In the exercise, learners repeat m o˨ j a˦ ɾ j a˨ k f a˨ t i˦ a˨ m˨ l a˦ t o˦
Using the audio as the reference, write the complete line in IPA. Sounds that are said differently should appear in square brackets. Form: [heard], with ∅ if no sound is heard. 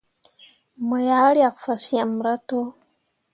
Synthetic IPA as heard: m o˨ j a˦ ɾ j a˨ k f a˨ [s] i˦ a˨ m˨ [ɾ] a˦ t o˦